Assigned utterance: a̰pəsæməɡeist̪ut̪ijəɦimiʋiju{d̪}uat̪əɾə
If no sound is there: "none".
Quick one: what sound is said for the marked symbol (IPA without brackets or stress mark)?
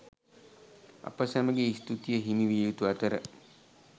t̪